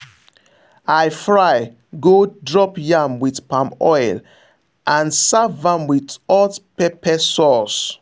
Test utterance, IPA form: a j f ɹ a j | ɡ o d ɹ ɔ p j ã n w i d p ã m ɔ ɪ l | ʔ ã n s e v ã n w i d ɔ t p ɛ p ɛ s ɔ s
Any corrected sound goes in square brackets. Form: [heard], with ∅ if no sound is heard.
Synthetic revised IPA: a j f ɹ a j | ɡ o d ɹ ɔ p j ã [m] w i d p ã m ɔ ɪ l | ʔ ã n s [a] v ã [m] w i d ɔ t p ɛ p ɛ s ɔ s

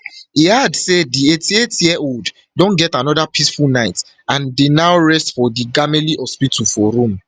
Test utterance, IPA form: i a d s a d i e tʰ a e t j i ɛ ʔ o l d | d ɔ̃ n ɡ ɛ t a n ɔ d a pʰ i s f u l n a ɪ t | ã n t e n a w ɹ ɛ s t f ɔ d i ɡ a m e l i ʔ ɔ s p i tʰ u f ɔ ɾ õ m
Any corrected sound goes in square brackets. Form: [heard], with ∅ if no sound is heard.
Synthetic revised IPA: i a d s [e] d i e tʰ [i] e t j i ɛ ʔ o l d | d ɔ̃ n ɡ ɛ t a n ɔ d a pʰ i s f u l n a ɪ t | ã n [d] e n a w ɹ ɛ s t f ɔ d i ɡ a m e l i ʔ ɔ s p i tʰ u f ɔ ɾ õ m

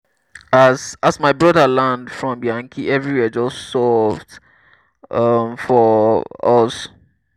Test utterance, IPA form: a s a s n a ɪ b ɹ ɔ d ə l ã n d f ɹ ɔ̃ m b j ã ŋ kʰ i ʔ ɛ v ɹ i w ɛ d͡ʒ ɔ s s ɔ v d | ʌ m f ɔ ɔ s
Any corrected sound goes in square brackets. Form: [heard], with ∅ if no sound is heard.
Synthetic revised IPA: a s a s [m] a ɪ b ɹ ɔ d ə l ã n d f ɹ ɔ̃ m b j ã ŋ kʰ i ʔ ɛ v ɹ i w ɛ d͡ʒ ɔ s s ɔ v d | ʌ m f ɔ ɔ s

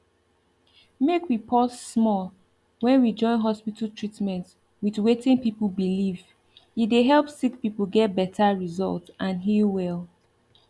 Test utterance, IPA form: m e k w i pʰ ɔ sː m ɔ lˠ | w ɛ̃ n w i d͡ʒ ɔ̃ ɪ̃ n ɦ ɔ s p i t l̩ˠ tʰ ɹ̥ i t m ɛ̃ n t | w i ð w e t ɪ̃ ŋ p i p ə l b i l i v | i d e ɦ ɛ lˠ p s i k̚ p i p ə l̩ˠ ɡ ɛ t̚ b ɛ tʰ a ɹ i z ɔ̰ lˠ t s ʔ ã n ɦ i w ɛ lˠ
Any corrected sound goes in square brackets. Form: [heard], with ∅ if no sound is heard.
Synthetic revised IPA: m e k w i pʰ ɔ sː m ɔ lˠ | w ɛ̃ n w i d͡ʒ ɔ̃ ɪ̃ n ɦ ɔ s p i t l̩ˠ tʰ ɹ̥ i t m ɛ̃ n t | w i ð w e t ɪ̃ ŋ p i p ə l b i l i v | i d e ɦ ɛ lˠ p s i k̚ p i p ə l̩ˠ ɡ ɛ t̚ b ɛ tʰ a ɹ i z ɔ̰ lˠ t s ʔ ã n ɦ i w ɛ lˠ

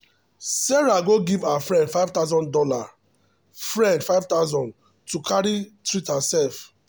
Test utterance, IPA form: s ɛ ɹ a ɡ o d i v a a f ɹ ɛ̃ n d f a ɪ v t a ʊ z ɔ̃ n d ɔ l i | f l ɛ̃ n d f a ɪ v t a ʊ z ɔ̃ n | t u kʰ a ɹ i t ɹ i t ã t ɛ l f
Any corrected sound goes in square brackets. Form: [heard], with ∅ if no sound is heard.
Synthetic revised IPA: s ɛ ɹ a ɡ o [ɡ] i v a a f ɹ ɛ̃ n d f a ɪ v t a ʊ z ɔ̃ n d ɔ l [a] | f [ɹ] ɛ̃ n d f a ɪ v t a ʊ z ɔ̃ n | t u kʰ a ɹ i t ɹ i t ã [s] ɛ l f

